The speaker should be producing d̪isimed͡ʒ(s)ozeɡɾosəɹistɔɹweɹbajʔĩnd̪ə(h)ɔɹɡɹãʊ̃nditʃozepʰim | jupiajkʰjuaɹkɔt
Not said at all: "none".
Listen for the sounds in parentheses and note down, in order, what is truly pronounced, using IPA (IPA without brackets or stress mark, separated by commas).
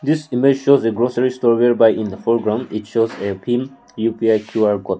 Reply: ʃ, f